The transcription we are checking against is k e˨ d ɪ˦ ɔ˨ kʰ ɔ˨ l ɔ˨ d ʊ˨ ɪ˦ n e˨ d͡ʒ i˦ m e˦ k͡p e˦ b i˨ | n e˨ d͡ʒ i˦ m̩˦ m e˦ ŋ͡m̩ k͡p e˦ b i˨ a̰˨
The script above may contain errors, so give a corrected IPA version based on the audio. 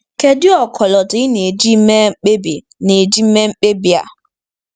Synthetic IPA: k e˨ d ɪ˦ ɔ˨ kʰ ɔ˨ l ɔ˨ d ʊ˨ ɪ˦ n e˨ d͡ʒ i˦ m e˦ k͡p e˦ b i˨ | n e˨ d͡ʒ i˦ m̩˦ m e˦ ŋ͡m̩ k͡p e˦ b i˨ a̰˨